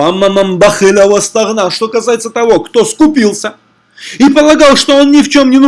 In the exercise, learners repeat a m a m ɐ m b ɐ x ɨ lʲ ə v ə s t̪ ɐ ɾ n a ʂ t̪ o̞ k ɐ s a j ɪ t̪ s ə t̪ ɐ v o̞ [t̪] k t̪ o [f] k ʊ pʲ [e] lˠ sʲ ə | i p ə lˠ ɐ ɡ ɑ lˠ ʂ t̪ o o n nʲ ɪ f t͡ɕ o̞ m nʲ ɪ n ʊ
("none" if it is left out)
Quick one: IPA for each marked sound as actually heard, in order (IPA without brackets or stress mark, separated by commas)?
none, s, i